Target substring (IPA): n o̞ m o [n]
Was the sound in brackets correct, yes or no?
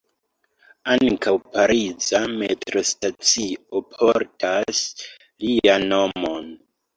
yes